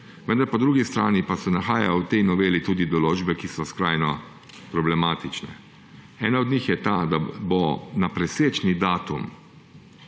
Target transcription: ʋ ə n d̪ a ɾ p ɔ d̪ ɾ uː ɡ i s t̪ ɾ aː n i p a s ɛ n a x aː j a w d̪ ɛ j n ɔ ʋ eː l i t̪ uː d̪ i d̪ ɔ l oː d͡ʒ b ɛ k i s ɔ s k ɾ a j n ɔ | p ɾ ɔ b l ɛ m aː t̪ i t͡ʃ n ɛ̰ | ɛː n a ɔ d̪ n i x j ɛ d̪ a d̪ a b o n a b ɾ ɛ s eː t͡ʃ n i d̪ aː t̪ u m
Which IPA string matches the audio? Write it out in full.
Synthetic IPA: ʋ ə n d̪ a ɾ p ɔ d̪ ɾ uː ɡ i s t̪ ɾ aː n i p a s ɛ n a x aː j a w t̪ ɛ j n ɔ ʋ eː l i t̪ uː d̪ i d̪ ɔ l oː d͡ʒ b ɛ k i s ɔ s k ɾ a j n ɔ | p ɾ ɔ b l ɛ m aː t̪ i t͡ʃ n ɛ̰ | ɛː n a ɔ d̪ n i x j ɛ t̪ a d̪ a b o n a p ɾ ɛ s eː t͡ʃ n i d̪ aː t̪ u m